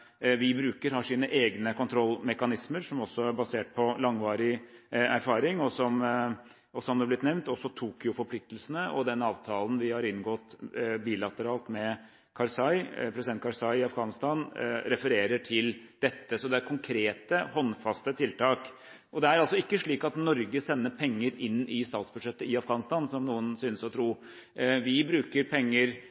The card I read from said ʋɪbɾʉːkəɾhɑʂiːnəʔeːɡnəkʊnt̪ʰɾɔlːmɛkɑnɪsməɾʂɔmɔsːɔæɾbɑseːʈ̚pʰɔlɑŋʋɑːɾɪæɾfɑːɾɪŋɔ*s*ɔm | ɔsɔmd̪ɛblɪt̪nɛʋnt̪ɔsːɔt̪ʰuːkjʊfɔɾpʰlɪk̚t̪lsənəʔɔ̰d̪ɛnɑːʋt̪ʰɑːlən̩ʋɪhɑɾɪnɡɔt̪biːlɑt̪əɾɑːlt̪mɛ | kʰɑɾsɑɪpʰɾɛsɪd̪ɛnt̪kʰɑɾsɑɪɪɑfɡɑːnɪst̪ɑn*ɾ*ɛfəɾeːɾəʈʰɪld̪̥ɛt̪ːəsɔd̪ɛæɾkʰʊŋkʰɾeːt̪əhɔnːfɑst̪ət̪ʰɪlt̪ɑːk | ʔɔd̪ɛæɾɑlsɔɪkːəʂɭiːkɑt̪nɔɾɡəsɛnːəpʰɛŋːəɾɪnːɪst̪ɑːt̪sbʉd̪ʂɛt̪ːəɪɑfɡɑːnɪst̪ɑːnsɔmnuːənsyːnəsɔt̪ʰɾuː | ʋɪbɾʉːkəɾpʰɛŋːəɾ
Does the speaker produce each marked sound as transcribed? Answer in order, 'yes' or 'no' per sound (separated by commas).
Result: yes, yes